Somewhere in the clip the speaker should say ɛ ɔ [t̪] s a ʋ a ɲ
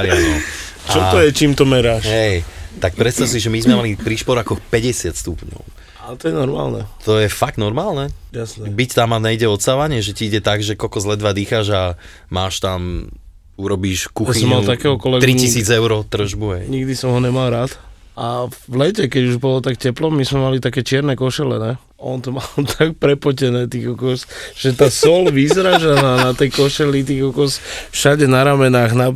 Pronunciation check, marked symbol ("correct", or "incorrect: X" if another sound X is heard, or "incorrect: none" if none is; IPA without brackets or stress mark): correct